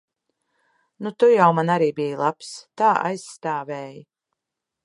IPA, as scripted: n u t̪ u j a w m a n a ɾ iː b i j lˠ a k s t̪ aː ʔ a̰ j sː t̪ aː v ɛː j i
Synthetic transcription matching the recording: n u t̪ u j a w m a n a ɾ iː b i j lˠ a p s t̪ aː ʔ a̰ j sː t̪ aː v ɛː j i

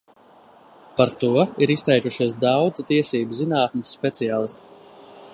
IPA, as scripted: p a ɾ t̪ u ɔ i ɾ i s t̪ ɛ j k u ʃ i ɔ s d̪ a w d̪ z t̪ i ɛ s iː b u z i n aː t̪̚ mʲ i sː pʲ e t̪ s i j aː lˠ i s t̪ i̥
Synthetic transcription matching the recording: p a ɾ t̪ u ɔ i ɾ i s t̪ ɛ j k u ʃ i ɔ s d̪ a w d̪ z t̪ i ɛ s iː b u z i n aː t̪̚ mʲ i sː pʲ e t̪ s i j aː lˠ i s t̪ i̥

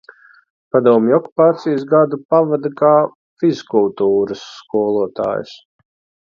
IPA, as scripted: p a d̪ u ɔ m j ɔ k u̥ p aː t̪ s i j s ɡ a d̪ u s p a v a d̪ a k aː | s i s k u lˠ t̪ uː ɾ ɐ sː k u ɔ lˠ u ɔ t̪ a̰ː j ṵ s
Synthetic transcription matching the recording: p a d̪ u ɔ m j ɔ k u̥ p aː t̪ s i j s ɡ a d̪ u p a v a d̪ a k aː | f i z k u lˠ t̪ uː ɾ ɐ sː k u ɔ lˠ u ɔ t̪ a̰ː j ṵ s

